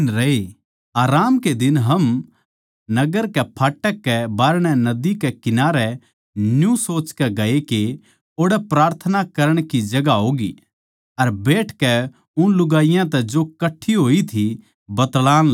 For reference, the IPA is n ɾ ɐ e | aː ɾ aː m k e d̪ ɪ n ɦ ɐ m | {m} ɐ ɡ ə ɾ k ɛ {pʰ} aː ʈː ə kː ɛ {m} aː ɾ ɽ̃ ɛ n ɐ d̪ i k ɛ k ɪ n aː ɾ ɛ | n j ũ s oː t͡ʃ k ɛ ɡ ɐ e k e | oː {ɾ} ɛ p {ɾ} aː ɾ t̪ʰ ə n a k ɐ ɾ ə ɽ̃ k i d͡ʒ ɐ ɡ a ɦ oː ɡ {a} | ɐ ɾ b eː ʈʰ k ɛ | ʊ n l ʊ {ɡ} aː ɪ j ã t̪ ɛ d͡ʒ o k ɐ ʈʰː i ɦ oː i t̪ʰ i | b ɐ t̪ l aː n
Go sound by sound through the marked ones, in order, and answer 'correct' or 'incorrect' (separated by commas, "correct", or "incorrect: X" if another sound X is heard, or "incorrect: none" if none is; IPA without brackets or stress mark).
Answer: incorrect: n, correct, incorrect: b, incorrect: ɽ, correct, incorrect: i, correct